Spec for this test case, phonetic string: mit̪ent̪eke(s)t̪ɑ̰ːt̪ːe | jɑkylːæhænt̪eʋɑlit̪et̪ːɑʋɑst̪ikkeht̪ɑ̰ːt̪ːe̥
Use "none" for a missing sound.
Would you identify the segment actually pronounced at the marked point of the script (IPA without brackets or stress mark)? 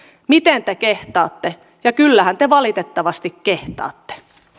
h